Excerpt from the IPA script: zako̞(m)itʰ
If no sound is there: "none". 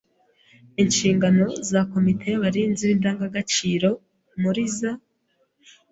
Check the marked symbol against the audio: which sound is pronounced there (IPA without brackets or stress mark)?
m